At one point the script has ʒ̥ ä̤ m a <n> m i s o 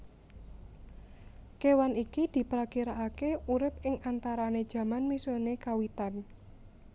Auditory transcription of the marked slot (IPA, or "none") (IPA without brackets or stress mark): n